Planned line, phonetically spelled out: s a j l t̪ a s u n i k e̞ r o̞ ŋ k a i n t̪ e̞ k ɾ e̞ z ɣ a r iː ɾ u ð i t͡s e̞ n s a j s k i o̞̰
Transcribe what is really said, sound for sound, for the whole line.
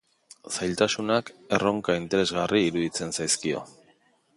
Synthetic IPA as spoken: s a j l t̪ a s u n a k e̞ r o̞ ŋ k a i n t̪ e̞ ɾ e̞ z ɣ a r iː ɾ u ð i t͡s e̞ n s a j s k i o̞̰